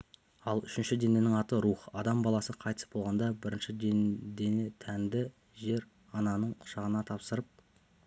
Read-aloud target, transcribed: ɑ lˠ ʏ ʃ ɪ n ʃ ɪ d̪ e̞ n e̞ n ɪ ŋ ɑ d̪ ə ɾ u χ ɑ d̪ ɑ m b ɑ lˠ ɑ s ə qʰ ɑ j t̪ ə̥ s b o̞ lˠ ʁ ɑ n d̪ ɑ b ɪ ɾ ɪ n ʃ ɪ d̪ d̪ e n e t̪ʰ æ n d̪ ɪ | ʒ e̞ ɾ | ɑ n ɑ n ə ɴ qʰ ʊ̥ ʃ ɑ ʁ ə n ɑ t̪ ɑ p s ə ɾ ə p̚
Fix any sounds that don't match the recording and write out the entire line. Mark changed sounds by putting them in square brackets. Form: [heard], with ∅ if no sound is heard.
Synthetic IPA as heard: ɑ lˠ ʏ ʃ ɪ n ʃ ɪ d̪ e̞ n e̞ n ɪ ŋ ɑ [t̪] ə ɾ u χ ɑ d̪ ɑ m b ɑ lˠ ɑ s ə qʰ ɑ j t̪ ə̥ s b o̞ lˠ ʁ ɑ n d̪ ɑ b ɪ ɾ ɪ n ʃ ɪ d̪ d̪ e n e t̪ʰ æ n d̪ ɪ | ʒ e̞ ɾ | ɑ n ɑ n ə ɴ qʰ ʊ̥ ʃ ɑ ʁ ə n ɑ [t̪ʰ] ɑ p s ə ɾ ə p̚